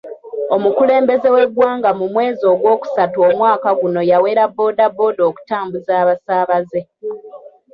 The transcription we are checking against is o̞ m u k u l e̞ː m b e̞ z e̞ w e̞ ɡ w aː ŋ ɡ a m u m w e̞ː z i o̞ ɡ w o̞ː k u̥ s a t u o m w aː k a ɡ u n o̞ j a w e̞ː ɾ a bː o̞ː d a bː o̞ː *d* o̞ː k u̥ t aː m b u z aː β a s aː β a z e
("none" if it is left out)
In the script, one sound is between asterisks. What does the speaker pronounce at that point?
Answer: d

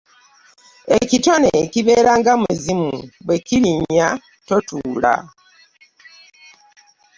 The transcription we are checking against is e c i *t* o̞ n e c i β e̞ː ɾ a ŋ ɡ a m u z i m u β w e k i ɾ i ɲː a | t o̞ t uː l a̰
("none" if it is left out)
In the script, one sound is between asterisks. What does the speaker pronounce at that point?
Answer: t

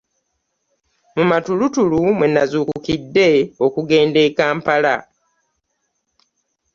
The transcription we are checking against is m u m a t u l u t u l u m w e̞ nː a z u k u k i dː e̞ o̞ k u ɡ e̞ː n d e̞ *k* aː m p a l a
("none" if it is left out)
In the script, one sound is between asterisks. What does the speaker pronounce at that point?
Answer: k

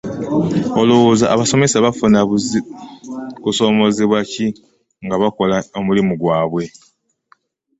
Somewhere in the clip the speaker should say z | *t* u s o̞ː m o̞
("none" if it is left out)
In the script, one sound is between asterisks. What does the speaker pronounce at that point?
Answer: k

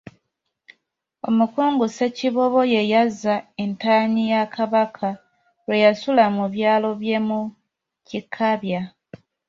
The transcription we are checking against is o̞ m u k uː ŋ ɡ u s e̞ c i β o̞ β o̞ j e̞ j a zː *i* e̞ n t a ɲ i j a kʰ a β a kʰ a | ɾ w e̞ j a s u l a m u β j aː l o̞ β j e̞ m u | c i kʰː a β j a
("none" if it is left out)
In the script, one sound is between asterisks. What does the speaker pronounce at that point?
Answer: a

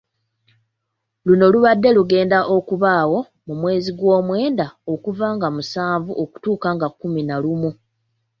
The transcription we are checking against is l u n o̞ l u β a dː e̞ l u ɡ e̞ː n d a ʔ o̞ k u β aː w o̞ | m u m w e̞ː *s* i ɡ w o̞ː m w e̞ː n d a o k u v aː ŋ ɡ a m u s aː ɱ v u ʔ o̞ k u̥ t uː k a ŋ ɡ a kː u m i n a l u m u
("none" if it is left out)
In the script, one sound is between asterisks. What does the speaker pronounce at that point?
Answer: z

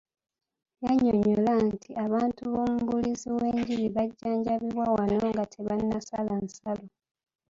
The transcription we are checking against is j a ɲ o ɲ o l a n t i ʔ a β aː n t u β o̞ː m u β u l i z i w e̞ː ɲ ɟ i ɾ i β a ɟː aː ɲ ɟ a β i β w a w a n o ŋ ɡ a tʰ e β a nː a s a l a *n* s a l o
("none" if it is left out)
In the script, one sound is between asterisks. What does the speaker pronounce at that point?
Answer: n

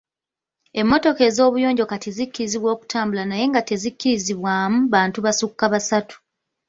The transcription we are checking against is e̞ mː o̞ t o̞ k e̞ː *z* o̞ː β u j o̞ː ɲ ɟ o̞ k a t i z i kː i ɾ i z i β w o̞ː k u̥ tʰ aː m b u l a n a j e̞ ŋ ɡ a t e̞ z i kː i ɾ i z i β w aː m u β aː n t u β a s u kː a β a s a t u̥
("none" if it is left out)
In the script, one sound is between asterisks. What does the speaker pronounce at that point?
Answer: z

